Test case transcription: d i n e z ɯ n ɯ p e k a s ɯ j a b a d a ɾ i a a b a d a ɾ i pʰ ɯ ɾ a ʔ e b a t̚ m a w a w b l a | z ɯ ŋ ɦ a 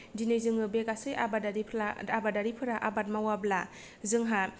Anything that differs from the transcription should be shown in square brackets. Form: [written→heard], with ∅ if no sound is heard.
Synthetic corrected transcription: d i n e z ɯ [n→ŋ] ɯ [p→b] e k a s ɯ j a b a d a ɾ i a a b a d a ɾ i pʰ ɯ ɾ a ʔ [e→a] b a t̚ m a w a [w→∅] b l a | z ɯ ŋ ɦ a